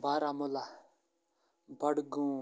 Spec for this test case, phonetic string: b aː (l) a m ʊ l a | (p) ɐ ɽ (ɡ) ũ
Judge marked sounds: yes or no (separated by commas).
no, no, yes